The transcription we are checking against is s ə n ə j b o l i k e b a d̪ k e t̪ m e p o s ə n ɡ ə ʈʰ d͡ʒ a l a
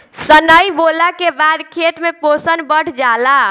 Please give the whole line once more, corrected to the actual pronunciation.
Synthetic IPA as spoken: s ə n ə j b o l a k e b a d̪ kʰ e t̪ m e p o s ə n b ə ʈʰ d͡ʒ a l a